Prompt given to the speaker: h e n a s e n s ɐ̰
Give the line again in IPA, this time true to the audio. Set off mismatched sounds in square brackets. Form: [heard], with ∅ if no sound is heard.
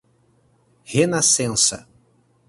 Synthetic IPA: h e n a s [ẽ] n s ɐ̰